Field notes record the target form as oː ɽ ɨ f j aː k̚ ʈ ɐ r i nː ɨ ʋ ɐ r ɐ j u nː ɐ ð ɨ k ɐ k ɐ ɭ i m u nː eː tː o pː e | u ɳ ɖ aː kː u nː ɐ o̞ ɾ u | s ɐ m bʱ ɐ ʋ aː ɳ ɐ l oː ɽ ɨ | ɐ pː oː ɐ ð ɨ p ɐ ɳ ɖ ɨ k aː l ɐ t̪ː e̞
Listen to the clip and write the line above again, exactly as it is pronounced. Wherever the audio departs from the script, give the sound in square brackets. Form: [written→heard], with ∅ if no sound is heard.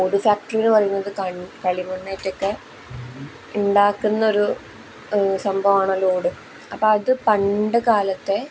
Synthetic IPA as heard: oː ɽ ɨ f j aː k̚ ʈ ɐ r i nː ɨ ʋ ɐ r ɐ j u nː ɐ ð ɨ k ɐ k ɐ ɭ i m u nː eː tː o [pː→kː] e | u ɳ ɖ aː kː u nː ɐ o̞ ɾ u | s ɐ m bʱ ɐ ʋ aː ɳ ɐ l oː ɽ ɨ | ɐ pː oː ɐ ð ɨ p ɐ ɳ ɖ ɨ k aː l ɐ t̪ː e̞

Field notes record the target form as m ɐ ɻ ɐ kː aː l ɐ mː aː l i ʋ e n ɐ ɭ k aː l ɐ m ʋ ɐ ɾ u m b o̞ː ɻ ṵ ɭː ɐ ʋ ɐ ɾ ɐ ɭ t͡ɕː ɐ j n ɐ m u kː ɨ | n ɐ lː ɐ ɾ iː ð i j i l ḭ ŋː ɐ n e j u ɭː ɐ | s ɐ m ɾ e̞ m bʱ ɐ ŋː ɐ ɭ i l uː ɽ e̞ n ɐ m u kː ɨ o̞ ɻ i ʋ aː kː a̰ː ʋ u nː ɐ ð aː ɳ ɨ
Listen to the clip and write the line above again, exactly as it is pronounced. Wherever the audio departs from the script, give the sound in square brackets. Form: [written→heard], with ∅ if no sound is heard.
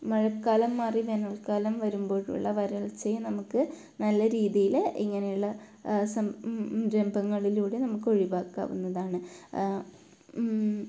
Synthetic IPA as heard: m ɐ ɻ ɐ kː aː l ɐ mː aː [l→r] i ʋ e n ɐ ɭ k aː l ɐ m ʋ ɐ ɾ u m b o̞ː ɻ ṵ ɭː ɐ ʋ ɐ ɾ ɐ ɭ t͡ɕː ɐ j n ɐ m u kː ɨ | n ɐ lː ɐ ɾ iː ð i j i l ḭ ŋː ɐ n e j u ɭː ɐ | s ɐ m ɾ e̞ m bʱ ɐ ŋː ɐ ɭ i l uː ɽ e̞ n ɐ m u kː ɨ o̞ ɻ i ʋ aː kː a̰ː ʋ u nː ɐ ð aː ɳ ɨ

